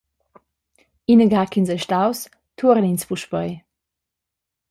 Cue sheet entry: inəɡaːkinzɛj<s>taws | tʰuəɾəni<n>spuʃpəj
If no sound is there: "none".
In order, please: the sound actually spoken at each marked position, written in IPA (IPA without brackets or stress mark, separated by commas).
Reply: ʃ, n